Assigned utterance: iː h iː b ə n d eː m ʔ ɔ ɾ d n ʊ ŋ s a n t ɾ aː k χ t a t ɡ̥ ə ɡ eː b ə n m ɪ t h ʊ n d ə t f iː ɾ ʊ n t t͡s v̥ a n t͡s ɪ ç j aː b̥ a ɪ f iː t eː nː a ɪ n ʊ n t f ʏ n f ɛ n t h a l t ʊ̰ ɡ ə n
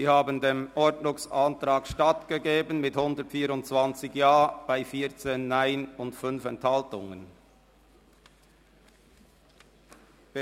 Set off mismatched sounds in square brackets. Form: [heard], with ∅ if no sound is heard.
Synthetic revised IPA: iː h [aː] b ə n d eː m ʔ ɔ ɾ d n ʊ ŋ s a n t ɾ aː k [ʃ] t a t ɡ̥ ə ɡ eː b ə n m ɪ t h ʊ n d ə t f iː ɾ ʊ n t t͡s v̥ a n t͡s ɪ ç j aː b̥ a ɪ f iː [t͡s] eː nː a ɪ n ʊ n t f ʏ n f ɛ n t h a l t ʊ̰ [ŋ] ə n